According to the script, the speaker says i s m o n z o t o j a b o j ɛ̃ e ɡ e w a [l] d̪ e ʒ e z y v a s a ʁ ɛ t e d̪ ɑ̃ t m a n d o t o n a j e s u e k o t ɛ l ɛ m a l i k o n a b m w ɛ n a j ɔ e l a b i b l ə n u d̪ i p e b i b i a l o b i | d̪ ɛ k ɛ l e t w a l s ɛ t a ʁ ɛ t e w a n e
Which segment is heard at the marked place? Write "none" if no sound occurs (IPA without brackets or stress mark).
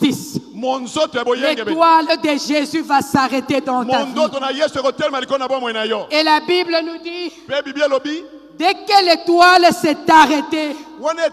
l